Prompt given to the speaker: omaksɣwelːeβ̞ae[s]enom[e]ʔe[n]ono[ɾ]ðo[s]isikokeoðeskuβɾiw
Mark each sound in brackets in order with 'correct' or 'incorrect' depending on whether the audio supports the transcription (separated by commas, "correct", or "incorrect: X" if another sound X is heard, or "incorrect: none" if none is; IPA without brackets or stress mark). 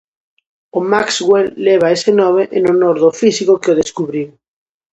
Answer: correct, correct, correct, correct, incorrect: f